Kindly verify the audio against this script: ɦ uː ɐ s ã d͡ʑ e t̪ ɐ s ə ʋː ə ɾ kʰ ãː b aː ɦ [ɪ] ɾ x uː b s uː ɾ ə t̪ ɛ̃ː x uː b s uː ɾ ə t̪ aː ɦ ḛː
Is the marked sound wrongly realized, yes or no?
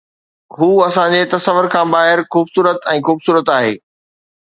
no